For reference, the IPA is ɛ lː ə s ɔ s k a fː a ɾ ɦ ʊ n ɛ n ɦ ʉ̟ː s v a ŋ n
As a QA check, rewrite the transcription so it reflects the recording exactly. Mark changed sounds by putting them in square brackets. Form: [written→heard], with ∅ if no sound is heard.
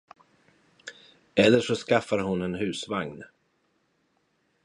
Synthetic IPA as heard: ɛ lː ə [s→ʂ] ɔ s k a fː a ɾ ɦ ʊ n ɛ n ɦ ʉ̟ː s v a ŋ n